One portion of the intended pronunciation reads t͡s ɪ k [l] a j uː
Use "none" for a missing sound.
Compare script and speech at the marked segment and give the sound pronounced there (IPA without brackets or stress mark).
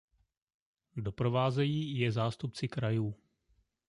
ɾ